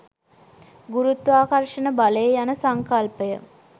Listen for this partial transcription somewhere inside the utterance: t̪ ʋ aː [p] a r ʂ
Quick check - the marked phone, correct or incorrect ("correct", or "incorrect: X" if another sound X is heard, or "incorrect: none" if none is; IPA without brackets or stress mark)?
incorrect: k